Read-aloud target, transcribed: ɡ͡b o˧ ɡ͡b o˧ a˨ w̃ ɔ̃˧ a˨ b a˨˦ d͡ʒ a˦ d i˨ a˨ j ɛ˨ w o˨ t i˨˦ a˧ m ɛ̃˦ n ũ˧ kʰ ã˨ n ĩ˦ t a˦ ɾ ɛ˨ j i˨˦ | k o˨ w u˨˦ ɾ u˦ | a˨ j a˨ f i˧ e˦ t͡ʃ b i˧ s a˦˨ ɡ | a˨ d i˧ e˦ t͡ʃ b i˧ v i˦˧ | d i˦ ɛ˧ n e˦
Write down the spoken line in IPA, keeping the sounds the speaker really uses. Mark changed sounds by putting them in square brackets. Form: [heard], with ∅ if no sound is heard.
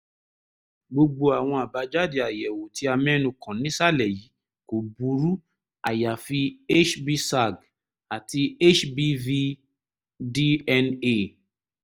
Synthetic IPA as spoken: ɡ͡b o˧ ɡ͡b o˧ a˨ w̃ ɔ̃˧ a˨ b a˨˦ d͡ʒ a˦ d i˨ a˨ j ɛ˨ w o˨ t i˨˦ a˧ m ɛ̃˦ n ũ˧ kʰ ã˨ n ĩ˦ [s] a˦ [l] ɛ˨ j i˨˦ | k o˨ [b] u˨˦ ɾ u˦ | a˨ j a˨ f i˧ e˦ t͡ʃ b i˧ s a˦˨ ɡ | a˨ [t] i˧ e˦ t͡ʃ b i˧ v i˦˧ | d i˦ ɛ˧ n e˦